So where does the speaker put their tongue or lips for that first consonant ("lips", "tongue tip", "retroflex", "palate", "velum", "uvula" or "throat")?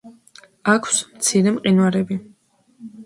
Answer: velum